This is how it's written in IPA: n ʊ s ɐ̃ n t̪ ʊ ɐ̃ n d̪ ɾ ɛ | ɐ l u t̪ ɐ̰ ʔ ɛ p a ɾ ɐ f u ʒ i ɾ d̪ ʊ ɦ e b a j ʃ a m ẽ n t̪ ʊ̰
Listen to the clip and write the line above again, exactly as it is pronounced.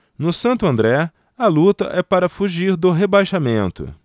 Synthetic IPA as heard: n ʊ s ɐ̃ n t̪ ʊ ɐ̃ n d̪ ɾ ɛ | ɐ l u t̪ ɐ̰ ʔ ɛ p a ɾ ɐ f u ʒ i ɾ d̪ ʊ ɦ e b a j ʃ a m ẽ n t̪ ʊ̰